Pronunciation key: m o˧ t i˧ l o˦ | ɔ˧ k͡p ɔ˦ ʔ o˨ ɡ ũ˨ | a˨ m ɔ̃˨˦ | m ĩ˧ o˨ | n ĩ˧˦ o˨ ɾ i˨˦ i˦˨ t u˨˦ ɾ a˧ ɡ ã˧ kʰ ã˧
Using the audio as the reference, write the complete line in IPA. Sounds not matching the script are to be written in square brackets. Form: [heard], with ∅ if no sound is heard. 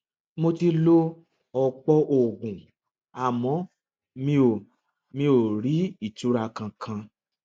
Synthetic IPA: m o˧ t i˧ l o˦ | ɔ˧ k͡p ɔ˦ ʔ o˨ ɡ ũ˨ | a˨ m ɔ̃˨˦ | m ĩ˧ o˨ | [m] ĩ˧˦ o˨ ɾ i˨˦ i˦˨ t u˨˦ ɾ a˧ [k] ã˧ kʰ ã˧